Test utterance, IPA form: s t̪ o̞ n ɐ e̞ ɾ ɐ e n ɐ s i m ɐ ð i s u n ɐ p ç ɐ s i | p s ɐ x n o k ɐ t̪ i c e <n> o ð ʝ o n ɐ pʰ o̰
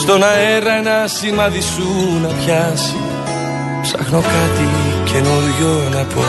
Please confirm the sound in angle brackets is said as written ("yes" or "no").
yes